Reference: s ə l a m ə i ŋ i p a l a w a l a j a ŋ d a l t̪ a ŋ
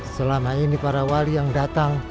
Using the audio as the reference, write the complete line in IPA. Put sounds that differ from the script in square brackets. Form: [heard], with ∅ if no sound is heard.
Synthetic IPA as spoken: s ə l a m [a] i [n] i p a [ɾ] a w a l [i] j a ŋ d a [∅] t̪ a ŋ